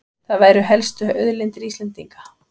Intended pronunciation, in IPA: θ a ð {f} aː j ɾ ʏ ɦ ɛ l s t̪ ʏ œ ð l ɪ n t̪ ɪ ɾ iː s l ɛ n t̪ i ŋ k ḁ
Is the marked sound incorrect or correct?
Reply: incorrect